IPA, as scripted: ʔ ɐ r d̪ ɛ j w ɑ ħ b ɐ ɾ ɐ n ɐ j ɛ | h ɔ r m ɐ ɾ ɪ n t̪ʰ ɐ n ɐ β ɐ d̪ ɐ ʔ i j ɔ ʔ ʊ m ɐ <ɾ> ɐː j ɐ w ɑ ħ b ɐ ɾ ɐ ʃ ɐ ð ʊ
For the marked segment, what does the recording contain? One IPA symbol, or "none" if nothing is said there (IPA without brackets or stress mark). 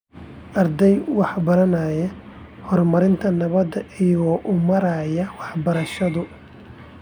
ɾ